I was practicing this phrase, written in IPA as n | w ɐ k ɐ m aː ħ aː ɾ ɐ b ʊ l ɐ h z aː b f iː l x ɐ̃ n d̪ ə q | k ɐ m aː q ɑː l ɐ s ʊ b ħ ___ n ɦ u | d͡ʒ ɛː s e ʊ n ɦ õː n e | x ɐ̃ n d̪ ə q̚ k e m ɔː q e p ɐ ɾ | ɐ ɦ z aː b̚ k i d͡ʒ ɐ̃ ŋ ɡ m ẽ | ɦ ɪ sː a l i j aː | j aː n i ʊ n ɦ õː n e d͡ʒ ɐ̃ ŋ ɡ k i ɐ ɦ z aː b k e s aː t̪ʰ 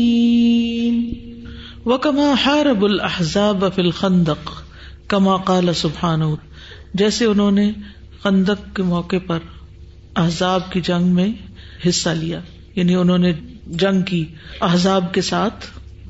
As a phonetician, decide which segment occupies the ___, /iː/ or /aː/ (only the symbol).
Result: aː